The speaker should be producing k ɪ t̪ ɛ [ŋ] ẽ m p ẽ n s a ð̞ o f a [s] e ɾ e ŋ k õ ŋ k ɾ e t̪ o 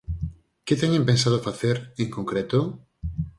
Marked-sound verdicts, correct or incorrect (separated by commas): incorrect, incorrect